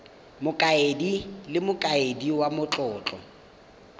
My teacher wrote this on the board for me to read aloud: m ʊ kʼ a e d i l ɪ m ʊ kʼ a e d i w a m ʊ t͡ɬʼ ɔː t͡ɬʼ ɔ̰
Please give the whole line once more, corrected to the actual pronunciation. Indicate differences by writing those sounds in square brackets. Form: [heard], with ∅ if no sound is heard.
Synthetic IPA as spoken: m ʊ kʼ a e d i l ɪ m ʊ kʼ a e d i w a m ʊ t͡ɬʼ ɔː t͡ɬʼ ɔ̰